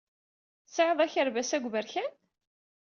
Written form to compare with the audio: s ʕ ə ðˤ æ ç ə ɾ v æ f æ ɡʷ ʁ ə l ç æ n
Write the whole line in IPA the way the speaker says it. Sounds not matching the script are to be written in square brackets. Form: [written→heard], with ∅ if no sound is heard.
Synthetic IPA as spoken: s ʕ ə ðˤ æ ç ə ɾ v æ [f→s] æ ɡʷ [ʁ→v] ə [l→ɾ] ç æ n

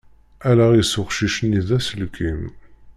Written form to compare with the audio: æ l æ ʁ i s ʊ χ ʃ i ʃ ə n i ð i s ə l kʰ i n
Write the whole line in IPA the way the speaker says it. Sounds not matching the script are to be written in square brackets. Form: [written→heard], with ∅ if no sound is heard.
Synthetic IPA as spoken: æ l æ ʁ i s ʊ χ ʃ i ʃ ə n i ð [i→æ] s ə l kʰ i [n→m]

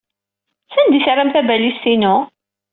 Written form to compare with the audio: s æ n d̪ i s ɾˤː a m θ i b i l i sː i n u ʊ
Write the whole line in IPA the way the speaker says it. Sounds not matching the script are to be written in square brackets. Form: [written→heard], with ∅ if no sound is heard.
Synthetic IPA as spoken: s æ n d̪ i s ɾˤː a m θ [i→æ] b [i→æ] l i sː i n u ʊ

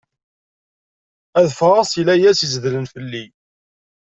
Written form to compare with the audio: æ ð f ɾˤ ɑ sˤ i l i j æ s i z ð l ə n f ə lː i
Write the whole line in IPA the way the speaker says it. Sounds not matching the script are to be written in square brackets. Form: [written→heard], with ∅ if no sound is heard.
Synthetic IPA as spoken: æ ð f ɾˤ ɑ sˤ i l [i→æ] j æ s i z ð l ə n f ə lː i

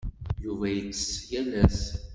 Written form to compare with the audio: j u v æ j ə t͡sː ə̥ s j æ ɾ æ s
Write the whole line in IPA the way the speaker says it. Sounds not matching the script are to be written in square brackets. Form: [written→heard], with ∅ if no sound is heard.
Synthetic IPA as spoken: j u v æ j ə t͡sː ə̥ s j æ [ɾ→l] æ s

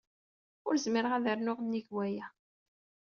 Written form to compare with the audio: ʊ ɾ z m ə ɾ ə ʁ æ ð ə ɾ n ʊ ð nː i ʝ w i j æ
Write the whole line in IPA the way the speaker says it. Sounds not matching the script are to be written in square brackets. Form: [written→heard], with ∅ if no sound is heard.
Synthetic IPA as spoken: ʊ ɾ z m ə ɾ ə ʁ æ ð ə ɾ n ʊ [ð→ʁ] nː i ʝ w [i→æ] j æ

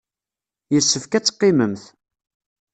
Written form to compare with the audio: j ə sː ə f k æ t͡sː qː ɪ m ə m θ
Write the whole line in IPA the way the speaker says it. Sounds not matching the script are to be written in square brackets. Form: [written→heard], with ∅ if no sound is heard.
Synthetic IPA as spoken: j ə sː ə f k æ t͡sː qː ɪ m ə m θ

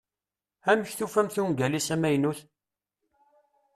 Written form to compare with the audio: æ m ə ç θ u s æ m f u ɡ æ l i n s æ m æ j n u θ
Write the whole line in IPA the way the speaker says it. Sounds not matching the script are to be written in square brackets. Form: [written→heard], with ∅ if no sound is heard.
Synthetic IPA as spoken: æ m ə ç θ u [s→f] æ m [f→θ] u ɡ æ l i [n→∅] s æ m æ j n u θ

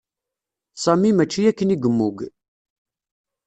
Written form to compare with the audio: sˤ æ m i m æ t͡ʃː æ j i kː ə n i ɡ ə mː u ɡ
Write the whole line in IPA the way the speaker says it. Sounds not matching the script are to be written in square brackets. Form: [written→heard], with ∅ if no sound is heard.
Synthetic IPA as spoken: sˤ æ m i m æ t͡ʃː [æ→i] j [i→æ] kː ə n i ɡ ə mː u ɡ

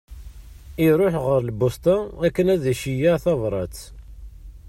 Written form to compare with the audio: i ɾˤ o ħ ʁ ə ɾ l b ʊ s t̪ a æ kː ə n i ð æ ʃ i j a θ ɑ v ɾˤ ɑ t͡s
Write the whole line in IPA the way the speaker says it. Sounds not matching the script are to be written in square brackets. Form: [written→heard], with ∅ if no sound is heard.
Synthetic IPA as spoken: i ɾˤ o ħ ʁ ə ɾ l b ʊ s t̪ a æ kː ə n [i→æ] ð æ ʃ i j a θ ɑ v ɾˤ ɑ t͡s

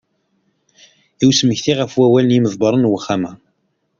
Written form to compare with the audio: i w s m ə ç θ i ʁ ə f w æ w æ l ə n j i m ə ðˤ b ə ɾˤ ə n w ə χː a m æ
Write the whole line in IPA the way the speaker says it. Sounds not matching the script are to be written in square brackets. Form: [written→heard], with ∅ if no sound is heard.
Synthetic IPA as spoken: i w s m ə ç θ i ʁ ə f w æ w æ l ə n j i m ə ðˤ b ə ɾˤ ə n w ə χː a m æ

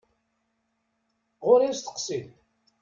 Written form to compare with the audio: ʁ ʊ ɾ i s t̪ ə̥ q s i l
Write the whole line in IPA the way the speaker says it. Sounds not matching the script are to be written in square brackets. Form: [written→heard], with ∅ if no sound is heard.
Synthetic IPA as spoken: ʁ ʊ ɾ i s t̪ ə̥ q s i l

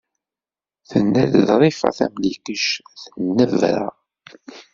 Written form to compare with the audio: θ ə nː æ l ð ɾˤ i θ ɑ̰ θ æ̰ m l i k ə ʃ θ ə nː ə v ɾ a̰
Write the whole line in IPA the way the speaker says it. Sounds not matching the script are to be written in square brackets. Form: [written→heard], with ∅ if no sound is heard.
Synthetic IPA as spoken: θ ə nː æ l ð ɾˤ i [θ→f] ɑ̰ θ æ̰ m l i k ə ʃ θ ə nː ə v ɾ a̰

